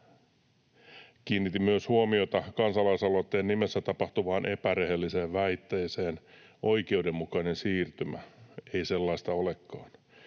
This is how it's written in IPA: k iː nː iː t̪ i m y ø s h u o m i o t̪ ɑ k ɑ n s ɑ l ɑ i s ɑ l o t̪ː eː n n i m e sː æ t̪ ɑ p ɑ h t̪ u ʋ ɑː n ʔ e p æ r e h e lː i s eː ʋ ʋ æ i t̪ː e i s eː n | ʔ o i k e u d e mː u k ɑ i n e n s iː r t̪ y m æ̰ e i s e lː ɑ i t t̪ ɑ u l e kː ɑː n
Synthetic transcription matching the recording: k iː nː i t̪ i m y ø s h u o m i o t̪ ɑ k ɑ n s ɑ l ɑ i s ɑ l o t̪ː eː n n i m e sː æ t̪ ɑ p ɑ h t̪ u ʋ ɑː n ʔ e p æ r e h e lː i s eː ʋ ʋ æ i t̪ː e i s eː n | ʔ o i k e u d e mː u k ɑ i n e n s iː r t̪ y m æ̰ e i s e lː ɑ i s t̪ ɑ o l e kː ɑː n

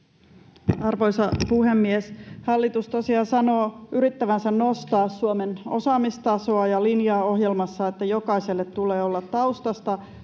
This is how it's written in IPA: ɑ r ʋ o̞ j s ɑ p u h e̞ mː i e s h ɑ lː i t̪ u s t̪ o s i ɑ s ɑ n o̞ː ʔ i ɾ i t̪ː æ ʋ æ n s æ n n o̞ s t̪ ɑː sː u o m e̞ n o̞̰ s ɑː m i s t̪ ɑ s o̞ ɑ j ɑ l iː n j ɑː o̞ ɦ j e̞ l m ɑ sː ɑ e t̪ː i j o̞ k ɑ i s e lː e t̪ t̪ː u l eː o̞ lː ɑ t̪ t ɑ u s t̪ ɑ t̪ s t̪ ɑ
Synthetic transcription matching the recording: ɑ r ʋ o̞ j s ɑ p u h e̞ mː i e s h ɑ lː i t̪ u s t̪ o s i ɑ s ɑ n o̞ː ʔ y ɾ i t̪ː æ ʋ æ n s æ n n o̞ s t̪ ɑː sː u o m e̞ n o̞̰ s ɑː m i s t̪ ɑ s o̞ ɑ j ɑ l i n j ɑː o̞ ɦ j e̞ l m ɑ sː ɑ e t̪ː æ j o̞ k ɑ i s e lː e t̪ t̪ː u l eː o̞ lː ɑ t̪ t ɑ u s t̪ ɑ s t̪ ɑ

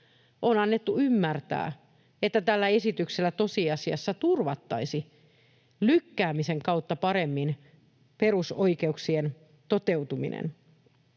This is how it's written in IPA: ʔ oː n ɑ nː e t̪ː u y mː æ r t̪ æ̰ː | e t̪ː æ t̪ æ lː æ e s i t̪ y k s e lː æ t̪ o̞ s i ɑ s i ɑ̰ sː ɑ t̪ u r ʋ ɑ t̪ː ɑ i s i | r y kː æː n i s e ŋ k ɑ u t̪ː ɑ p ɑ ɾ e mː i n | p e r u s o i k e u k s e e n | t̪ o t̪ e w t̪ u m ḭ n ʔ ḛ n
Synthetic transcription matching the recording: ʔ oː n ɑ nː e t̪ː u y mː æ r t̪ æ̰ː | e t̪ː æ t̪ æ lː æ e s i t̪ y k s e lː æ t̪ o̞ s i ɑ s i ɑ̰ sː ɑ t̪ u r ʋ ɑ t̪ː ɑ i s i | l y kː æː m i s e ŋ k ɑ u t̪ː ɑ p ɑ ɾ e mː i n | p e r u s o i k e u k s i e n | t̪ o t̪ e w t̪ u m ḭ n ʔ ḛ n

